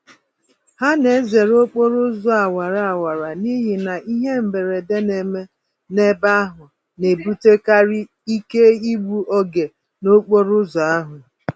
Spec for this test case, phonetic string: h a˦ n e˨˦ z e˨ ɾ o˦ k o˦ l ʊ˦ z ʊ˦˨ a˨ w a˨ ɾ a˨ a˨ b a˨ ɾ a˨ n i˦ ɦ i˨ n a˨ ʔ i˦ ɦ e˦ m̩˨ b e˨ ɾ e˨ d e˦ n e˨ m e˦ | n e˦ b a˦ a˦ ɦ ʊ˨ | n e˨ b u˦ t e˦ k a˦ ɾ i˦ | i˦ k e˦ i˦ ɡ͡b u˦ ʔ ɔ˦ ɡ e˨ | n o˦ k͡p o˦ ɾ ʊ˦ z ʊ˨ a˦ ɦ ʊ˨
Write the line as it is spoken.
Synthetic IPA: h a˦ n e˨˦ z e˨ ɾ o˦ k͡p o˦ ɾ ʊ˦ z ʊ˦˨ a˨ w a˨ ɾ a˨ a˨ w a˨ ɾ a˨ n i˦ ɦ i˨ n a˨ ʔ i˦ ɦ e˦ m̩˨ b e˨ ɾ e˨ d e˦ n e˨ m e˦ | n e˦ b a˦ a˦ ɦ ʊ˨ | n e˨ b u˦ t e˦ k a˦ ɾ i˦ | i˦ k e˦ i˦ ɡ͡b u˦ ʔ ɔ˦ ɡ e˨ | n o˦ k͡p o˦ ɾ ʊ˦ z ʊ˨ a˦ ɦ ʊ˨